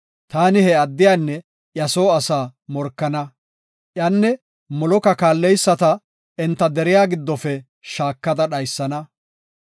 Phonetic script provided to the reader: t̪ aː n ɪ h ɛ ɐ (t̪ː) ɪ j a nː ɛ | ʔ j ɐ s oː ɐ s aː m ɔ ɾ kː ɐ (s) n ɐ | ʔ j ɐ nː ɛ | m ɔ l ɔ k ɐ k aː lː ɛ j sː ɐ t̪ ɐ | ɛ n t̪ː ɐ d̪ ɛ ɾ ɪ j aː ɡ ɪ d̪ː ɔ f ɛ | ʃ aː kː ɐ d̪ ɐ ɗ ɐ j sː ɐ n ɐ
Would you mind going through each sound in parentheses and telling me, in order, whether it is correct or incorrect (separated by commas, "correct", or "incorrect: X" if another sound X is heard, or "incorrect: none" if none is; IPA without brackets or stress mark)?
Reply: incorrect: d̪ː, incorrect: none